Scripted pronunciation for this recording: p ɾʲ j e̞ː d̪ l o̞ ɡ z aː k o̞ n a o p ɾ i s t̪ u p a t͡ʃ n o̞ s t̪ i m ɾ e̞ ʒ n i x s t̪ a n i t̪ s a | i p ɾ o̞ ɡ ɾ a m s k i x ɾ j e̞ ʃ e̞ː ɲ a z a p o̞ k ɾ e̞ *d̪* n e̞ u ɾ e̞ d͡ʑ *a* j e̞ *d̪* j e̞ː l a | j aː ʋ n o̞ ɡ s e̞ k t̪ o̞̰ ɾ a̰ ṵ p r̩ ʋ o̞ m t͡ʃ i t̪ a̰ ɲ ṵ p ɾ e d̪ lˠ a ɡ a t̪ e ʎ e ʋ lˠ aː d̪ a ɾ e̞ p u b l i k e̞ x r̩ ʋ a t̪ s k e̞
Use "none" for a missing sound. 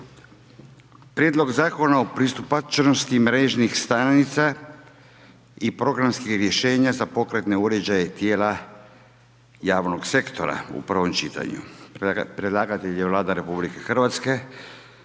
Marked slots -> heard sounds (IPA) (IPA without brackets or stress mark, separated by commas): t̪, a, t̪